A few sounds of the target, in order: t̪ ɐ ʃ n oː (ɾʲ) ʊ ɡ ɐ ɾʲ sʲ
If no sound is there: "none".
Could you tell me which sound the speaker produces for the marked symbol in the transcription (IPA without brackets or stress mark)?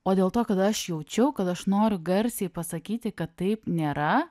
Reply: ɾʲ